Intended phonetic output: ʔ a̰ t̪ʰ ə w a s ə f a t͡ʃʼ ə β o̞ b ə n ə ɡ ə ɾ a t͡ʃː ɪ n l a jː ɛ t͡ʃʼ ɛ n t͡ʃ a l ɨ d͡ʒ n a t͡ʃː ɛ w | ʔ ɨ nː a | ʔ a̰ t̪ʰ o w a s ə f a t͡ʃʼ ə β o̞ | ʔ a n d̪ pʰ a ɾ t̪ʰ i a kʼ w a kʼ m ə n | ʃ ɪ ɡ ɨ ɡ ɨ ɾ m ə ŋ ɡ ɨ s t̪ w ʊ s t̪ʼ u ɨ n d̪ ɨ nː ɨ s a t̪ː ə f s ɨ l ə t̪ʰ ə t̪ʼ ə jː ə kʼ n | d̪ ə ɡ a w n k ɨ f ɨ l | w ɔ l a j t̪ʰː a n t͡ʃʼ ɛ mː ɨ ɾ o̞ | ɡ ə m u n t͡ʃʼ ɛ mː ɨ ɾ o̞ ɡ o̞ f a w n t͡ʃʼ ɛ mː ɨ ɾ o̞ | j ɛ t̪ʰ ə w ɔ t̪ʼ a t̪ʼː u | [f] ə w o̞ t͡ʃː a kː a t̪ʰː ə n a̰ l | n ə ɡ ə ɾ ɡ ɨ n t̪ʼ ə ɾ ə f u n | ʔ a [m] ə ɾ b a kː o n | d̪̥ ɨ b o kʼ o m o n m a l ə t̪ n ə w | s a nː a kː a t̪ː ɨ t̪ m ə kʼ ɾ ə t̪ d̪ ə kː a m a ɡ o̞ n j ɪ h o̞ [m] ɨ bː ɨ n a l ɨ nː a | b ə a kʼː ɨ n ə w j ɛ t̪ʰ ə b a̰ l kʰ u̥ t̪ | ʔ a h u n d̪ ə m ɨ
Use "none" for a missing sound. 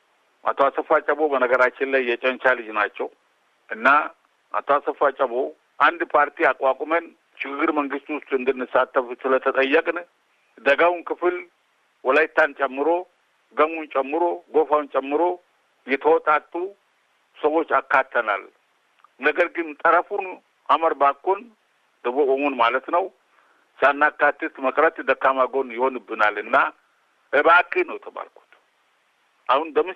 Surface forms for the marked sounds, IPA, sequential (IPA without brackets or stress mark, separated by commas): s, m, n